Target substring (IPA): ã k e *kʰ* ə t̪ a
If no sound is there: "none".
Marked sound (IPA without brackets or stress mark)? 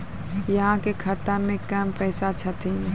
kʰ